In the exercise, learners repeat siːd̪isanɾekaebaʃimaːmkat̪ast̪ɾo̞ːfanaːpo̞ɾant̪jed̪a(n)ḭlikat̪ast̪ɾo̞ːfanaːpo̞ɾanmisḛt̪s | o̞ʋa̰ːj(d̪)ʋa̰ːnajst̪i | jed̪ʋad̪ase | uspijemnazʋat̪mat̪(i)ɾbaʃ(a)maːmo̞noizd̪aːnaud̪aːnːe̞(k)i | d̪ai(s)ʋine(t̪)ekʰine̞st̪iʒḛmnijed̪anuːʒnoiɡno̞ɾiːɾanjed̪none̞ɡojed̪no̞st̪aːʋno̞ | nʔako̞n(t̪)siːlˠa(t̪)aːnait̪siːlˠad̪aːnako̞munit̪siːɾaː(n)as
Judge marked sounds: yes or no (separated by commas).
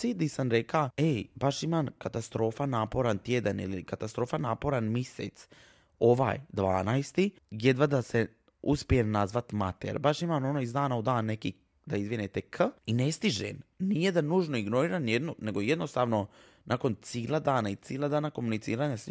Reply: yes, yes, no, no, yes, no, yes, yes, no, no